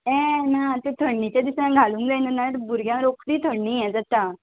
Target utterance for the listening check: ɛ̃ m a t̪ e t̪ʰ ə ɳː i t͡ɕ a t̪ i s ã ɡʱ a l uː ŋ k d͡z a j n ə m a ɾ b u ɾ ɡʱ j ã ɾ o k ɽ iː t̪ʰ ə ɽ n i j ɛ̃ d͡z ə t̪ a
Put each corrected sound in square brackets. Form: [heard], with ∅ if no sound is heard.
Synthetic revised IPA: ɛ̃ [n] a t̪ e t̪ʰ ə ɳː i t͡ɕ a [d̪] i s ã ɡʱ a l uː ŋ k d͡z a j n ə [n] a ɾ b u ɾ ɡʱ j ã ɾ o k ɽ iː t̪ʰ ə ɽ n i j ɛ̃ d͡z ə t̪ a